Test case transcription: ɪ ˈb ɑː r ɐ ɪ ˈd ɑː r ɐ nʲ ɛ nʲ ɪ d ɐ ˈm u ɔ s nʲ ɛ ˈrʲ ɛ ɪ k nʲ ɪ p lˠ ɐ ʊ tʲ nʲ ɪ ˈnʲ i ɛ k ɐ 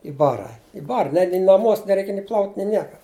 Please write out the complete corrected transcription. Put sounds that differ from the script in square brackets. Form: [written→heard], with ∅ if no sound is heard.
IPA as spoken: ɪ ˈb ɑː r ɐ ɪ [ˈd→ˈb] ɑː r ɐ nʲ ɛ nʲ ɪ [d→n] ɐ ˈm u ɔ s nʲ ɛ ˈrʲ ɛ ɪ k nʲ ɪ p lˠ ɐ ʊ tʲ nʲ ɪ ˈnʲ i ɛ k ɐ